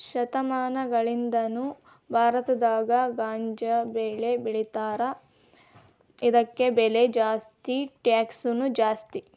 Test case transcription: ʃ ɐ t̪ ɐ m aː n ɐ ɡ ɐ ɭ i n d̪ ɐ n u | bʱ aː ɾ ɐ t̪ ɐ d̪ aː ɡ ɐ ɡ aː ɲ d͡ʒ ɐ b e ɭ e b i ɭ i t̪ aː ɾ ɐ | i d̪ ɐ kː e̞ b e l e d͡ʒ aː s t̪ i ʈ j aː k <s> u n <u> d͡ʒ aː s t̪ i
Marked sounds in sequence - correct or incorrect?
correct, correct

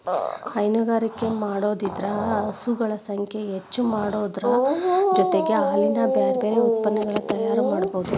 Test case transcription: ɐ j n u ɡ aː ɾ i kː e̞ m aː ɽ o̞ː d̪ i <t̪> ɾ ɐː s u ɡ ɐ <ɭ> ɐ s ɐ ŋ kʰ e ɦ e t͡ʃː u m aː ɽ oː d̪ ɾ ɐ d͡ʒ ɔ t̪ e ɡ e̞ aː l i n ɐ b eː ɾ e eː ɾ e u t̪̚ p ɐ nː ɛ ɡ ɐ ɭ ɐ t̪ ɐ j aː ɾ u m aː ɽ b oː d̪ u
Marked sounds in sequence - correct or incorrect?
incorrect: d̪, correct

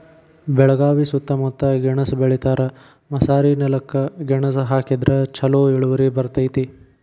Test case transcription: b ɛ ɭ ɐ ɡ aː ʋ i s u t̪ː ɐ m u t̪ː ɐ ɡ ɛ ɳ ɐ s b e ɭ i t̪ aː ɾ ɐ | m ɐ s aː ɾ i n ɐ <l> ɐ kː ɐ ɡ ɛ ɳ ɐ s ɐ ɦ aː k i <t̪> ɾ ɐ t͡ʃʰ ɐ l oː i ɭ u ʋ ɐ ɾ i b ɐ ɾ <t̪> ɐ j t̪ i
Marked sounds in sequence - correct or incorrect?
correct, incorrect: d̪, correct

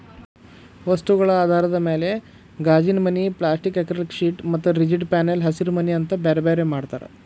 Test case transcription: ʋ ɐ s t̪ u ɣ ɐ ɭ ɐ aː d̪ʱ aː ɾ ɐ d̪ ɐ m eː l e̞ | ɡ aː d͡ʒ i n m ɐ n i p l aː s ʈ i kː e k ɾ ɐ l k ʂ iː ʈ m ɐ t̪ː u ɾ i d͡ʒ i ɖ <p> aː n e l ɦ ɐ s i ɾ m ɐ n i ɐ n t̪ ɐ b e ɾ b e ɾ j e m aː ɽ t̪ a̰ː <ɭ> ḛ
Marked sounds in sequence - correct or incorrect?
correct, incorrect: ɾ

